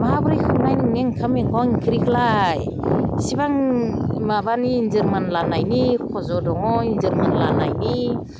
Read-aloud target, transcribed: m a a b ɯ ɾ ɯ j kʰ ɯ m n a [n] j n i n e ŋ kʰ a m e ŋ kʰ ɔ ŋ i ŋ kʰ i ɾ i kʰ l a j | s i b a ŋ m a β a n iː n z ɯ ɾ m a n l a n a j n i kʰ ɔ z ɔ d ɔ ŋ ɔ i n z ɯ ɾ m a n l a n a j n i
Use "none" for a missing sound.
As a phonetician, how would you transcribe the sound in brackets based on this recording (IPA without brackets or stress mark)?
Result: none